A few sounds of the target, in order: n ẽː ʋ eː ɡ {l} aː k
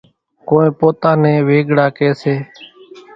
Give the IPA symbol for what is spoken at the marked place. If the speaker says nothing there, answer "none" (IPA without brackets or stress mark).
ɽ